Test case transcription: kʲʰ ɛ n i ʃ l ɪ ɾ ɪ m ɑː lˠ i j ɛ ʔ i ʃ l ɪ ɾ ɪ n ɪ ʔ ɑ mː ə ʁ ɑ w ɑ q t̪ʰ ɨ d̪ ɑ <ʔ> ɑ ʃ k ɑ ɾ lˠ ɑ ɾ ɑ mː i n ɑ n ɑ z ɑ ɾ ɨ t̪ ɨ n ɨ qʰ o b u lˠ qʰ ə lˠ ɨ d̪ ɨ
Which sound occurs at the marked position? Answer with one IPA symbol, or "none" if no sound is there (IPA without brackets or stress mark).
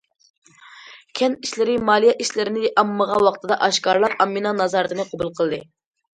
ʔ